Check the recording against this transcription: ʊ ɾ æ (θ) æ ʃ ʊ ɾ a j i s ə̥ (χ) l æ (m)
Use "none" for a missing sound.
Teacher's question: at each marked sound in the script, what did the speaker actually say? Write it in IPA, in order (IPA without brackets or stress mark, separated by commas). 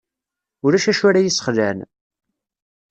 ʃ, χ, n